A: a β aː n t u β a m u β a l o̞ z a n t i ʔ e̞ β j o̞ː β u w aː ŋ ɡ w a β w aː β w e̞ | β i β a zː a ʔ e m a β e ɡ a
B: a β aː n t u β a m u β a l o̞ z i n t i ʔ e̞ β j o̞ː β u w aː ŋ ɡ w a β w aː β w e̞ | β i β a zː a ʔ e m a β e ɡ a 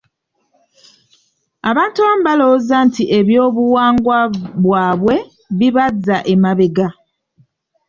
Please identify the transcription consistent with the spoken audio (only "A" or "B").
A